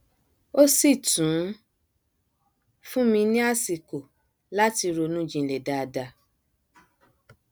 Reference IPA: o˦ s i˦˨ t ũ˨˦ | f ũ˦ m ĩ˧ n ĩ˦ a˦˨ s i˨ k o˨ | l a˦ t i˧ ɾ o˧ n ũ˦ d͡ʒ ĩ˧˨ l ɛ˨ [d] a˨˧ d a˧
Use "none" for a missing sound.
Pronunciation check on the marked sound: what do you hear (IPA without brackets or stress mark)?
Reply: d